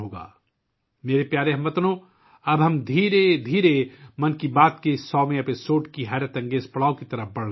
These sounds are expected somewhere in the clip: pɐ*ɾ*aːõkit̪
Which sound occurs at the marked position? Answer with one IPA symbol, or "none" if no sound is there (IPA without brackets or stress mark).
ɽ